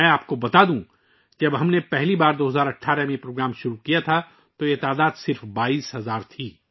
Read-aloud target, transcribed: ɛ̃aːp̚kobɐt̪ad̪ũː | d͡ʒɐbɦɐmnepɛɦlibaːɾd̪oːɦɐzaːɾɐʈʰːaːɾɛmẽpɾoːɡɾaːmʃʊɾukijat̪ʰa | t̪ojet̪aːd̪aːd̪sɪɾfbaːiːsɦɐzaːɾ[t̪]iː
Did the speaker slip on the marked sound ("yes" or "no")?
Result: yes